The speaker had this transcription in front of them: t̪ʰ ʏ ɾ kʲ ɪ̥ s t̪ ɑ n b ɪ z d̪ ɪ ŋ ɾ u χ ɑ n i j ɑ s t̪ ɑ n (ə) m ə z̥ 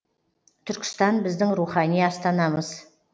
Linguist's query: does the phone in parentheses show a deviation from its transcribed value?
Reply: yes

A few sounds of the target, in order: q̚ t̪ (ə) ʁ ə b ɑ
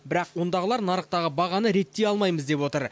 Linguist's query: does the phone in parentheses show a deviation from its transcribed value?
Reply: yes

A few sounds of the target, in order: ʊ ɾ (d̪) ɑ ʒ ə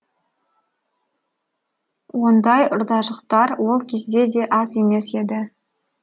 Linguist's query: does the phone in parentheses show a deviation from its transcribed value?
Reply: no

